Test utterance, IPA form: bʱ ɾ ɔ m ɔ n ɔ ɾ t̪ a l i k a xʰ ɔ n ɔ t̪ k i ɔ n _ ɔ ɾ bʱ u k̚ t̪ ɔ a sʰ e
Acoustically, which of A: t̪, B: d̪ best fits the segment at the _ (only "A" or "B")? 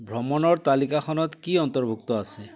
A